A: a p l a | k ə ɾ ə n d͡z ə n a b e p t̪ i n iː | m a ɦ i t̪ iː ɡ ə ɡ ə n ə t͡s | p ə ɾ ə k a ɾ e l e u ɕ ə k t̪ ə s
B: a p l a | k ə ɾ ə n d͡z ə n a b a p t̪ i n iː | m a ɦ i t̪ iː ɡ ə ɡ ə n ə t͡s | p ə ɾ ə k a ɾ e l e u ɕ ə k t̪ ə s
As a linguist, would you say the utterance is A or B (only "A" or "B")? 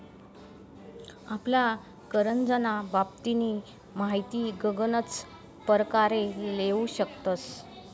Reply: B